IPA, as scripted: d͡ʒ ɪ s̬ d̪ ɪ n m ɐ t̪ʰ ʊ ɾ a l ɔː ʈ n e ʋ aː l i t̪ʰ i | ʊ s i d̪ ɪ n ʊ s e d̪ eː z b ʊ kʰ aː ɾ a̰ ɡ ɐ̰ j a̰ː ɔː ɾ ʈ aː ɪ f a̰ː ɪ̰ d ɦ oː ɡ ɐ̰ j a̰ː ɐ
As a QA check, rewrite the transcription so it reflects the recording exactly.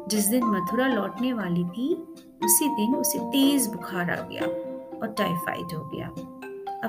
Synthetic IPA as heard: d͡ʒ ɪ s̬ d̪ ɪ n m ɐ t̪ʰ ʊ ɾ a l ɔː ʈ n e ʋ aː l i t̪ʰ i | ʊ s i d̪ ɪ n ʊ s e t̪ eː z b ʊ kʰ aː ɾ a̰ ɡ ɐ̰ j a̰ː ɔː ɾ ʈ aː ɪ f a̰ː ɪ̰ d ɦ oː ɡ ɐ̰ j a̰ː ɐ